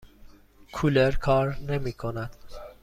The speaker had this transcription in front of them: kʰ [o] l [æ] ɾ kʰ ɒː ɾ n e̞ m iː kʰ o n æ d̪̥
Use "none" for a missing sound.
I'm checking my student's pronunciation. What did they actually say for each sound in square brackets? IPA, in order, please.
u, e

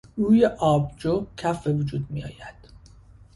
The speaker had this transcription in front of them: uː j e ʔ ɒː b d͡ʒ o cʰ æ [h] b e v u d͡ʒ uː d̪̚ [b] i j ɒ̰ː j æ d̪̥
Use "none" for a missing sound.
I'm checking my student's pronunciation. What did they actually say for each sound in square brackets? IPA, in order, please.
f, m

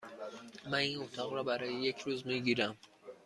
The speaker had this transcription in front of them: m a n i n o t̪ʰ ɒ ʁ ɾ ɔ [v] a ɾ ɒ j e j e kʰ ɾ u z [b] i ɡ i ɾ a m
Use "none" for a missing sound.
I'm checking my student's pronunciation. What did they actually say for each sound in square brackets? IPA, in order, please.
b, m

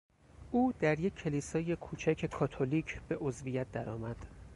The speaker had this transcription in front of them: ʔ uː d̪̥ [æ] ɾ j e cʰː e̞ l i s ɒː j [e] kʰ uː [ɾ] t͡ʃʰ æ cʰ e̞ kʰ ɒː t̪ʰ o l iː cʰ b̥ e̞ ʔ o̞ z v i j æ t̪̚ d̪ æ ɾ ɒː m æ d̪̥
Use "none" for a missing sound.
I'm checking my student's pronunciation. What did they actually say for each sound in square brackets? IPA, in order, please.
æ, e, none

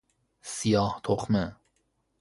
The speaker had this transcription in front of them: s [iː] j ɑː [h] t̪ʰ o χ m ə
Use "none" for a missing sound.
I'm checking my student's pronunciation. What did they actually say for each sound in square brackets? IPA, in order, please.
i, h

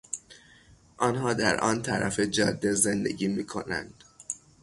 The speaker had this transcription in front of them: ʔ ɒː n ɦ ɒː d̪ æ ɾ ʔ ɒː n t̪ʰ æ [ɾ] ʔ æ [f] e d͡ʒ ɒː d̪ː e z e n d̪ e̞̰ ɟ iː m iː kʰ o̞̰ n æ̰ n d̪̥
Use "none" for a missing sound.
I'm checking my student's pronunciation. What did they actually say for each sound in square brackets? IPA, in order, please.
ɾ, f

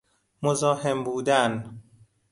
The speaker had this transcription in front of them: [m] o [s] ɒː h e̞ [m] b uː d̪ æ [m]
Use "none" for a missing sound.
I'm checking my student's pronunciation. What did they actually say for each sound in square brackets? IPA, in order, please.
m, z, m, n

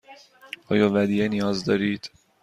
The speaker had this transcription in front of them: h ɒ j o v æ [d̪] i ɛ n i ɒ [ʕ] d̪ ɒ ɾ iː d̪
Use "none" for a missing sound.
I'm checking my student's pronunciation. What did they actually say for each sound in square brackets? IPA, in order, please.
d̪, z

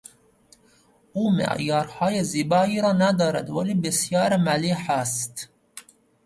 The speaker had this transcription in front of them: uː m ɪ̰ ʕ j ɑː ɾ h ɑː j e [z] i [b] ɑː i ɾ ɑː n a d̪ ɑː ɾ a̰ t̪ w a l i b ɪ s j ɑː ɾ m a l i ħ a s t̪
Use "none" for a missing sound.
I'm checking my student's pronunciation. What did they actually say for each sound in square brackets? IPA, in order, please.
z, b

